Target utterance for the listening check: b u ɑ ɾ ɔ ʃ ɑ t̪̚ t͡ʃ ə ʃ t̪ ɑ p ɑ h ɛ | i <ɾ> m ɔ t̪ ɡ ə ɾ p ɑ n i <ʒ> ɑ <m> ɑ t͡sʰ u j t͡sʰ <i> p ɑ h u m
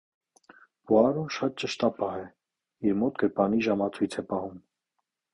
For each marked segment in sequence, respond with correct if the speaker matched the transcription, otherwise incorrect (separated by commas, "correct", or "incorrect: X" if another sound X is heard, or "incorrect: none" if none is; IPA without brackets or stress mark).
correct, correct, correct, incorrect: ɛ